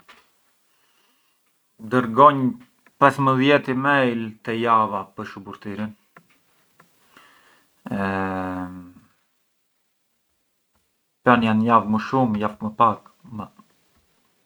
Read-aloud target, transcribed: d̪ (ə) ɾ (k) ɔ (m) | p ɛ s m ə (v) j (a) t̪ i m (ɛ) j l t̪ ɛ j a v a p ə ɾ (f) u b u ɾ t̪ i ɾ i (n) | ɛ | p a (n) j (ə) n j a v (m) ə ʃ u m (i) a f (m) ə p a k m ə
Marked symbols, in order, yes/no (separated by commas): yes, no, no, no, no, yes, no, yes, yes, no, yes, no, yes